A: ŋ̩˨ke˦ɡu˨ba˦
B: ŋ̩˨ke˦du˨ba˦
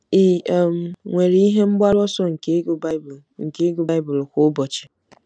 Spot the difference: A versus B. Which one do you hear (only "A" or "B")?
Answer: A